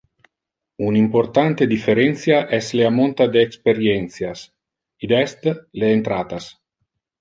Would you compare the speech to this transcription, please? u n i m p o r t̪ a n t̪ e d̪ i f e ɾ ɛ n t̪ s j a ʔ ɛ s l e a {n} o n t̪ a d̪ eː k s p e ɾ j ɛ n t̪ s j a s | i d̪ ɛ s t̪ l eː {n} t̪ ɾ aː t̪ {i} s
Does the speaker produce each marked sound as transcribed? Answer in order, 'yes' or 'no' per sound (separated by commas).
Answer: no, yes, no